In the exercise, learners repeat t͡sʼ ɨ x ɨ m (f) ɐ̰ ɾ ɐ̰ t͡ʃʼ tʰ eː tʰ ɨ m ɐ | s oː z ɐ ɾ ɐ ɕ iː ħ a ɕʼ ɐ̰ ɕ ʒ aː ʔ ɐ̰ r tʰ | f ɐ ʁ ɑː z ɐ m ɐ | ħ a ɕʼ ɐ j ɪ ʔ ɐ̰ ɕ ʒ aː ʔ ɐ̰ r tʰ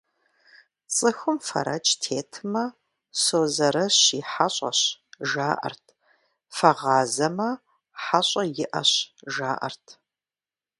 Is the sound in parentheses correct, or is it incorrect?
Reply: correct